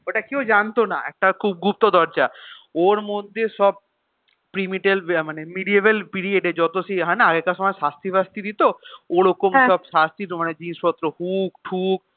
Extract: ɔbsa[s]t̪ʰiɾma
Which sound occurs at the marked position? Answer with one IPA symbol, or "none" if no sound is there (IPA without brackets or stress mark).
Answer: s